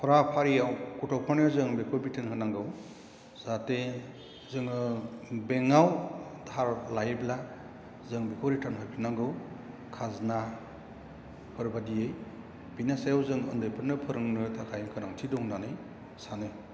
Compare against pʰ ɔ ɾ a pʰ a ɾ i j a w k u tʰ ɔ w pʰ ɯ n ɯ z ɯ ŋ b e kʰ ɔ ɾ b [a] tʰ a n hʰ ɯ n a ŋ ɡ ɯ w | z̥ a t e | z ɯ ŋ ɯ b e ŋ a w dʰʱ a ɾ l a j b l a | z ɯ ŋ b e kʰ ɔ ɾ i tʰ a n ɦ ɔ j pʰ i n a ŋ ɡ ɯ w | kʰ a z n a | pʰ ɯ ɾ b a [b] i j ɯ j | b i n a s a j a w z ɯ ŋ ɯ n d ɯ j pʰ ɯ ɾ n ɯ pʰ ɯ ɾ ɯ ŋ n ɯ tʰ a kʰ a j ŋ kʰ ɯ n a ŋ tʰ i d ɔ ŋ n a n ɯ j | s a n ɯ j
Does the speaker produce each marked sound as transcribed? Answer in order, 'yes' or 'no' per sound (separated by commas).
no, no